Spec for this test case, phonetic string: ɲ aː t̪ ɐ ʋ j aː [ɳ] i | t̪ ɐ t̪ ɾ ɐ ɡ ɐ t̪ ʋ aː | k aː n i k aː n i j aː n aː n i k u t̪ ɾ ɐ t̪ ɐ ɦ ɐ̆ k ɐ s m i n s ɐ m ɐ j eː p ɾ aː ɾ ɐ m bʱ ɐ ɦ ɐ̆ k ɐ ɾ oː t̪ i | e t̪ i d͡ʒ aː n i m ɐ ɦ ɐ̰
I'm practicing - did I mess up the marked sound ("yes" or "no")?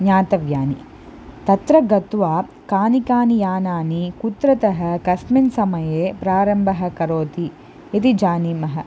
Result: yes